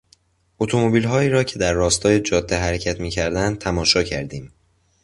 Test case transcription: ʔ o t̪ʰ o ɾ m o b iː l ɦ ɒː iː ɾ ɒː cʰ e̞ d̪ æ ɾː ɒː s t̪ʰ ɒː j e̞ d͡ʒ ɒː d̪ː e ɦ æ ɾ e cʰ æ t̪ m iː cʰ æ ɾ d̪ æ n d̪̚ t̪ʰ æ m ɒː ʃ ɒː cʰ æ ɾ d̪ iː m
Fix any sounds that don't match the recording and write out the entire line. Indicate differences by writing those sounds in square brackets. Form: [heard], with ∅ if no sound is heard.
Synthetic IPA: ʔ o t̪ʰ o [∅] m o b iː l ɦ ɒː iː ɾ ɒː cʰ e̞ d̪ æ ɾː ɒː s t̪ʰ ɒː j e̞ d͡ʒ ɒː d̪ː e ɦ æ ɾ e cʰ æ t̪ m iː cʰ æ ɾ d̪ æ n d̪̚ t̪ʰ æ m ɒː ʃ ɒː cʰ æ ɾ d̪ iː m